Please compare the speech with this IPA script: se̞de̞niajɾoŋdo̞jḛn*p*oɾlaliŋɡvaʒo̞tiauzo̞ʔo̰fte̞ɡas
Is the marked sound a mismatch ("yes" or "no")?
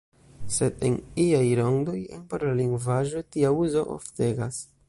no